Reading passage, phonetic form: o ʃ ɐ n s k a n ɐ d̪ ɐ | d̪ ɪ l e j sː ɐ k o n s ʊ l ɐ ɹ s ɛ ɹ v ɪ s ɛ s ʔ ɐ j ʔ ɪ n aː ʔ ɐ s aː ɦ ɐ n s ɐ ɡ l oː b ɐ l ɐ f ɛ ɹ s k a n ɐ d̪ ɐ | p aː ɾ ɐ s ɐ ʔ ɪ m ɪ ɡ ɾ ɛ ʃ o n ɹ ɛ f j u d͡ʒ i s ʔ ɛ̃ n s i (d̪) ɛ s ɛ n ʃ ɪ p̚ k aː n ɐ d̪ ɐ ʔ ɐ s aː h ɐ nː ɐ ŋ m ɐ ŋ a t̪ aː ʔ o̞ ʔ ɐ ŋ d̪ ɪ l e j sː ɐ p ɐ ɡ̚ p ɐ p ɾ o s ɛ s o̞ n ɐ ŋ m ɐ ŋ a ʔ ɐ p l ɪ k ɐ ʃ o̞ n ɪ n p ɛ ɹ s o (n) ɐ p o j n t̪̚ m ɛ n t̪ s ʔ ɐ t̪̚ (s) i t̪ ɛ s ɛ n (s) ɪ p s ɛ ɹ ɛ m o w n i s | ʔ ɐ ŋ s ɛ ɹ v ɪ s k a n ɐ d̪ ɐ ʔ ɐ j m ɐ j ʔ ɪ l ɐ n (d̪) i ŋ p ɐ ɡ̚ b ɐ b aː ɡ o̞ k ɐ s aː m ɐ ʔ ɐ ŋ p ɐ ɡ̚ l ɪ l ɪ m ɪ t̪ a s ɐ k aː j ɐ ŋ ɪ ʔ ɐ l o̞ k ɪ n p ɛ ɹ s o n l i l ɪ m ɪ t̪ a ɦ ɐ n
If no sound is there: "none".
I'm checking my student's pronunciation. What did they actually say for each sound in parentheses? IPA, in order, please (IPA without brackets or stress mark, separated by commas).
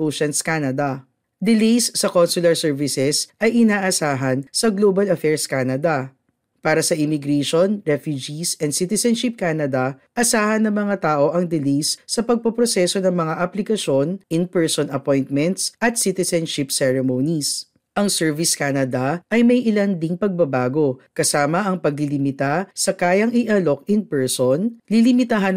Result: t̪, n, s, ʃ, d̪